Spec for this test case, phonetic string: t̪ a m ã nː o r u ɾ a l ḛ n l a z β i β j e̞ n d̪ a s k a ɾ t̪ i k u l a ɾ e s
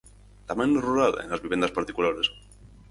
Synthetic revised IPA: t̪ a m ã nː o r u ɾ a l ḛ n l a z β i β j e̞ n d̪ a s p a ɾ t̪ i k u l a ɾ e s